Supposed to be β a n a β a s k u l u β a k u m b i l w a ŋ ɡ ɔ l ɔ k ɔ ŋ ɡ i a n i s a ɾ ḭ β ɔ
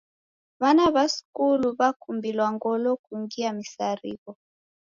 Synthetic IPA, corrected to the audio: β a n a β a s k u l u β a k u m b i l w a ŋ ɡ ɔ l ɔ k u ŋ ɡ i a m i s a ɾ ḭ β ɔ